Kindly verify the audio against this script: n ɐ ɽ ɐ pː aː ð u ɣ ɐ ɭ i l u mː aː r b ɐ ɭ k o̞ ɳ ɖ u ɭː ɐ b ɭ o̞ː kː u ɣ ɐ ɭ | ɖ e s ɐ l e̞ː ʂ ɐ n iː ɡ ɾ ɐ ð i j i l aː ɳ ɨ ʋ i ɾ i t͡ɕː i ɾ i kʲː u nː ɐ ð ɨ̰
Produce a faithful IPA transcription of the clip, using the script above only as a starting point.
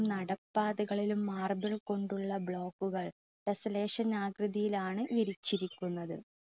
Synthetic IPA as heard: n ɐ ɽ ɐ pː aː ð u ɣ ɐ ɭ i l u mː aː r b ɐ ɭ k o̞ ɳ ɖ u ɭː ɐ b ɭ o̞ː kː u ɣ ɐ ɭ | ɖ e s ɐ l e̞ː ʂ ɐ n aː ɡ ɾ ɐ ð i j i l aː ɳ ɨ ʋ i ɾ i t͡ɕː i ɾ i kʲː u nː ɐ ð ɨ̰